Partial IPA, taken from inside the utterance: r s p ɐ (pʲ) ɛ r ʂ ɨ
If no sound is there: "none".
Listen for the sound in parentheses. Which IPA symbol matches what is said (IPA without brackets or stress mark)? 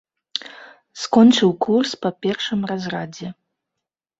pʲ